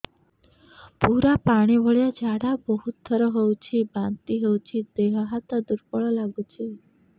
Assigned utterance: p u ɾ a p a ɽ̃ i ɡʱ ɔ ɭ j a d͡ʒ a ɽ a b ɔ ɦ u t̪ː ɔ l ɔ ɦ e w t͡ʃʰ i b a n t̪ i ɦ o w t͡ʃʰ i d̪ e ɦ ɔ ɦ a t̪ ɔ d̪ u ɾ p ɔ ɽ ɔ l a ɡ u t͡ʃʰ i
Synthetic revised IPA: p u ɾ a p a ɽ̃ i bʱ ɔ ɭ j a d͡ʒ a ɽ a b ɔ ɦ u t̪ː ɔ ɾ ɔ ɦ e w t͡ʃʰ i b a n t̪ i ɦ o w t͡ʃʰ i d̪ e ɦ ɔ ɦ a t̪ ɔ d̪ u ɾ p ɔ ɭ ɔ l a ɡ u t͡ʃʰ i